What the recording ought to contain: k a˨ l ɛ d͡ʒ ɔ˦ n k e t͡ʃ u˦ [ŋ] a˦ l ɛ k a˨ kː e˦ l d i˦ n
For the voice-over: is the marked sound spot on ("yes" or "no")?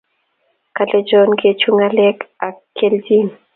yes